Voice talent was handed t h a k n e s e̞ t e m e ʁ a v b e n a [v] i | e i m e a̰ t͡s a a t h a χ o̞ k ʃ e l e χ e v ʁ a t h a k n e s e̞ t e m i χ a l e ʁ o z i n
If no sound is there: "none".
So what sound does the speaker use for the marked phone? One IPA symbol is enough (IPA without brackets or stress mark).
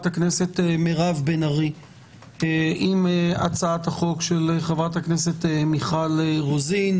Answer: ʁ